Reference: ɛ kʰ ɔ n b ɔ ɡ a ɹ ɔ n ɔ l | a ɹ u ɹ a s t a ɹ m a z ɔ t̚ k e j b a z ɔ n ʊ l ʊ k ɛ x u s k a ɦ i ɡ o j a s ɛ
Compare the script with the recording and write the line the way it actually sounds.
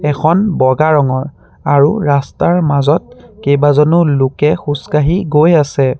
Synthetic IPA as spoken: ɛ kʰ ɔ n b ɔ ɡ a ɹ ɔ ŋ ɔ ɹ | a ɹ u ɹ a s t a ɹ m a z ɔ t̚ k e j b a z ɔ n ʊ l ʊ k ɛ x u s k a ɦ i ɡ o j a s ɛ